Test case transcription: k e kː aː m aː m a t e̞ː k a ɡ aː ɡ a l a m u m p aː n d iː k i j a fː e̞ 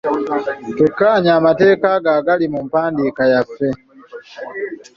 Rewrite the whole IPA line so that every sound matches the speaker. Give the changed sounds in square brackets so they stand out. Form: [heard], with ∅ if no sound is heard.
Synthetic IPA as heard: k e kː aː [ɲ] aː m a t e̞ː k a ɡ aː ɡ a l [i] m u m p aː n d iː k [a] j a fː e̞